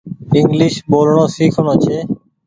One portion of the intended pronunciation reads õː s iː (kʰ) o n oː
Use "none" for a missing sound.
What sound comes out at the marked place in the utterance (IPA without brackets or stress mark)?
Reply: kʰ